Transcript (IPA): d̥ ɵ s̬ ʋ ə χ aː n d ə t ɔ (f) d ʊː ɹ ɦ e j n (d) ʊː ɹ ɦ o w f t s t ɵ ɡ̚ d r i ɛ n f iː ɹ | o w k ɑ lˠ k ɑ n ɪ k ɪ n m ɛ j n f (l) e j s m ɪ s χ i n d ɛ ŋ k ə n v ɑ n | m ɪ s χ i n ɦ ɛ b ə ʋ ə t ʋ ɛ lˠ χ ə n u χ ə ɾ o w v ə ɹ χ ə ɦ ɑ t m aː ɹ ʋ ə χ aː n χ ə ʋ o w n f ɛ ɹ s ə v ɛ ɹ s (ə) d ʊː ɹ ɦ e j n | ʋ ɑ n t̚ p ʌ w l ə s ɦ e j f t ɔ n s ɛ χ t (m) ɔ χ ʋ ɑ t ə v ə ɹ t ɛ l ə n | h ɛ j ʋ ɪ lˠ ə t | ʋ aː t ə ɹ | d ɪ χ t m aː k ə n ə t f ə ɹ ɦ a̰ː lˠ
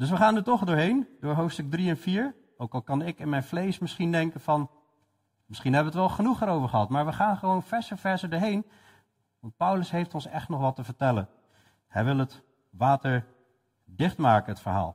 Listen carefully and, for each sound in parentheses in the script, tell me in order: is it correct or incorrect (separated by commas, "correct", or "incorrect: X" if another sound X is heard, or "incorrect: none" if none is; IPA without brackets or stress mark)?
incorrect: χ, correct, correct, correct, incorrect: n